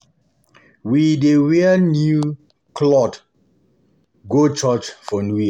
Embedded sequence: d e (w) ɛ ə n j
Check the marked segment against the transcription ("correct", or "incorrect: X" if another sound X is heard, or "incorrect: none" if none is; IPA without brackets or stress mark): correct